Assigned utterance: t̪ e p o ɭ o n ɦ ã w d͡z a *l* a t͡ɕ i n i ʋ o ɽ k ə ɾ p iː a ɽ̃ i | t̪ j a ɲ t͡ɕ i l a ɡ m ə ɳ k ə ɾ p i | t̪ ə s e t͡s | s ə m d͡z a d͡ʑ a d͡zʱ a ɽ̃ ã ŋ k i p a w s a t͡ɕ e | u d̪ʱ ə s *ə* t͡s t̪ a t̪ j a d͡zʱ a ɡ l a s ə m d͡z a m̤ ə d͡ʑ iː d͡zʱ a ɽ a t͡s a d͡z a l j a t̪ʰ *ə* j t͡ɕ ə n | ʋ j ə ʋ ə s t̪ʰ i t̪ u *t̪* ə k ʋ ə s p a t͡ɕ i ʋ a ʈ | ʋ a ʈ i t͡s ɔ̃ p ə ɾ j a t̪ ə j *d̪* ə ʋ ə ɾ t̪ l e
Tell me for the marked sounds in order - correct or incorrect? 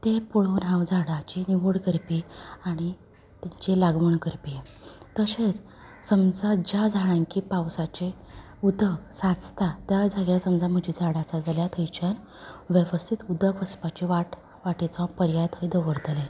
incorrect: ɽ, incorrect: a, correct, incorrect: d̪, correct

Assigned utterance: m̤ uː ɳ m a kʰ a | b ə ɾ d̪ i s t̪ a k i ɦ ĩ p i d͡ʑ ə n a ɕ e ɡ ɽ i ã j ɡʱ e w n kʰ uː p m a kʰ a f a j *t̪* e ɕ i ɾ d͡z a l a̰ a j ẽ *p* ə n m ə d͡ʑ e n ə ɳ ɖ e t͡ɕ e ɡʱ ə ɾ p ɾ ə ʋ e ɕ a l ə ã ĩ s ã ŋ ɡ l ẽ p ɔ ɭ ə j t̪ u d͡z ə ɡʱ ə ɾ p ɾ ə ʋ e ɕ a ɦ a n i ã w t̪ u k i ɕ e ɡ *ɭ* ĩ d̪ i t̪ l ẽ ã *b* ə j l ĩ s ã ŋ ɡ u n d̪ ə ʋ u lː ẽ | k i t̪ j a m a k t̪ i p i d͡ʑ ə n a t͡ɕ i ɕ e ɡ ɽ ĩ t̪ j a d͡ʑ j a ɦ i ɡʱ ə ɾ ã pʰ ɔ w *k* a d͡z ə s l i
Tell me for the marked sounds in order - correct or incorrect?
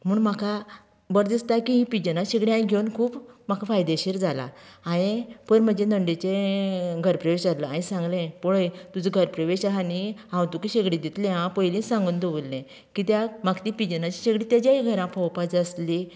incorrect: d̪, correct, incorrect: ɽ, incorrect: p, incorrect: p

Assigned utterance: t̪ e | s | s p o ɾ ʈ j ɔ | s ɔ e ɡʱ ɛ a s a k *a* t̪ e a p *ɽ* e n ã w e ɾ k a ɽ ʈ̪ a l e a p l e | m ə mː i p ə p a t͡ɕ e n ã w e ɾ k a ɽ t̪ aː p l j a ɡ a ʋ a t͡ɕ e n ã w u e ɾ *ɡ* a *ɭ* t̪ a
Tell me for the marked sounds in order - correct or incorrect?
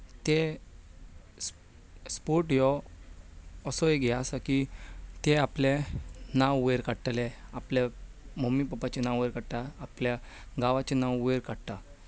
incorrect: i, incorrect: l, incorrect: k, incorrect: ɽ

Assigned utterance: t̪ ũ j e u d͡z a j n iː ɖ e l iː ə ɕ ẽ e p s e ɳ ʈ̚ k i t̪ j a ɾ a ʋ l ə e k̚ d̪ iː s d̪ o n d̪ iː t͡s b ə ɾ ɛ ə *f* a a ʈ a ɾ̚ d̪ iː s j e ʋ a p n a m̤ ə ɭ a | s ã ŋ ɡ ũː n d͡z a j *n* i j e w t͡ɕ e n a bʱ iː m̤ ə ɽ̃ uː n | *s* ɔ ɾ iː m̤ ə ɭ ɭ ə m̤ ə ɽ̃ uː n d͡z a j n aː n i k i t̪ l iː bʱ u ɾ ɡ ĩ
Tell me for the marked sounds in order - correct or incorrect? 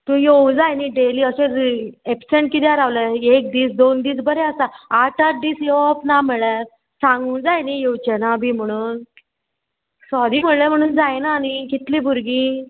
incorrect: s, correct, correct

